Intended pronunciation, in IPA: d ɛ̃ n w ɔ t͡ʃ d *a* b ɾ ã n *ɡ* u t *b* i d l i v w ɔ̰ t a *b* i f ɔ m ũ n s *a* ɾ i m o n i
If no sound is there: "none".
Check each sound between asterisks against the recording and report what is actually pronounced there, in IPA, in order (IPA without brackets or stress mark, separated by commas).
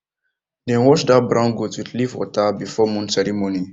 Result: a, ɡ, w, b, ɛ